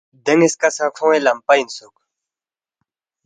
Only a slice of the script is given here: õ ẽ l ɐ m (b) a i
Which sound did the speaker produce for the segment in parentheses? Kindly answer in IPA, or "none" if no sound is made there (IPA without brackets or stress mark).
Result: p